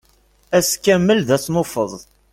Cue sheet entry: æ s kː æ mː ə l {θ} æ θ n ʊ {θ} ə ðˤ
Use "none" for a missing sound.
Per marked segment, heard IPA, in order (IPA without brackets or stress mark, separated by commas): ð, f